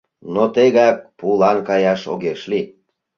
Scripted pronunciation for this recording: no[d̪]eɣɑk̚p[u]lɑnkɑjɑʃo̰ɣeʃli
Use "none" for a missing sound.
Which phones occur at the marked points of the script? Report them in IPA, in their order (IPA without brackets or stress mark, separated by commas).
t̪, u